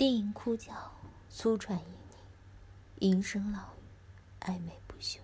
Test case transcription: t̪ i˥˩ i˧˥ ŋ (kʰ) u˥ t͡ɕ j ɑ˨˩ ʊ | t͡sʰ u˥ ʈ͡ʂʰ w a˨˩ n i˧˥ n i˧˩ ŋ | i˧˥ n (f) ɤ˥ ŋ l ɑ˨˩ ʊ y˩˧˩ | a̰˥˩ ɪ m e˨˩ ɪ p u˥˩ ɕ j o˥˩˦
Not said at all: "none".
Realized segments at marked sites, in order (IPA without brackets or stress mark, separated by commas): kʰ, ʂ